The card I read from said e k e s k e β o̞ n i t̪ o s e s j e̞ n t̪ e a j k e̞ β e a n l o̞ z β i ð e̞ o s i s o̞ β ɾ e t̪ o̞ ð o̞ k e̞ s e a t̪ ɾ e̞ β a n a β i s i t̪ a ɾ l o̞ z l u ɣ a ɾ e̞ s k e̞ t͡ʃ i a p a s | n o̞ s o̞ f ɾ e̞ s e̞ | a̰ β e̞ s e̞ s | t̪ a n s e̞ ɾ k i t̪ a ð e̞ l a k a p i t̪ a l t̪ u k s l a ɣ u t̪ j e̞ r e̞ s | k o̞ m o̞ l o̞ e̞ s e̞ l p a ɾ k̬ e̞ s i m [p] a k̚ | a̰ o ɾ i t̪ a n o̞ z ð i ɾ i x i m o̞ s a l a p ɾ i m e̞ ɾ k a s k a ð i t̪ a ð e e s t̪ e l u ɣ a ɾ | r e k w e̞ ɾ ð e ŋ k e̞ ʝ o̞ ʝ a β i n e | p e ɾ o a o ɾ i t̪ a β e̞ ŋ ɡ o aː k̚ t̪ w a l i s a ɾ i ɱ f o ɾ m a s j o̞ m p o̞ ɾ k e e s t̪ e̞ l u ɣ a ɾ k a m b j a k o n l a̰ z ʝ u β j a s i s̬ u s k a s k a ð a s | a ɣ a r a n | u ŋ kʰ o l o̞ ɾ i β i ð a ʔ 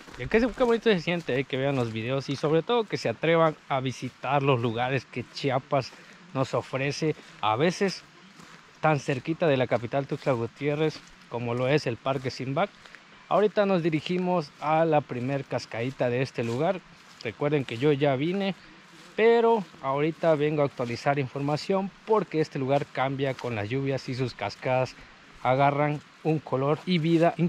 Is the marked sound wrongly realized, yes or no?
yes